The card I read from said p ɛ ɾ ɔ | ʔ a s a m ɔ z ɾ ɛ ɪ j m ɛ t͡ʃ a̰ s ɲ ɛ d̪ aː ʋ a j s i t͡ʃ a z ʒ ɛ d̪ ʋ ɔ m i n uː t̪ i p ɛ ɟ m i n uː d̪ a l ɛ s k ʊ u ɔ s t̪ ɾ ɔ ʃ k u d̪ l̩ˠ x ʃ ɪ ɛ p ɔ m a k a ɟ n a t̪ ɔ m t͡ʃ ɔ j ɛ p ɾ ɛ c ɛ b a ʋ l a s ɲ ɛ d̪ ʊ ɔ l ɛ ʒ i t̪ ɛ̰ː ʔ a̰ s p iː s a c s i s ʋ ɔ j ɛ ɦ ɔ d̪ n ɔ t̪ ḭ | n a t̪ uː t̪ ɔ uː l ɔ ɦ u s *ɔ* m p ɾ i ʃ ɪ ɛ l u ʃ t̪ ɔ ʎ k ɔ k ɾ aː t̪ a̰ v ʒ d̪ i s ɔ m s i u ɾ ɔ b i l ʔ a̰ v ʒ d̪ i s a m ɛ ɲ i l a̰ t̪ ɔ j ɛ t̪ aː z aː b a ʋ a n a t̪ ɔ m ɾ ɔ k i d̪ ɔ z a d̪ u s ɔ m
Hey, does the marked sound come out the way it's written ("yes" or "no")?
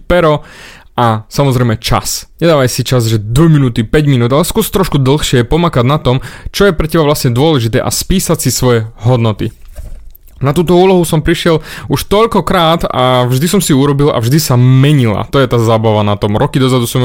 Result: yes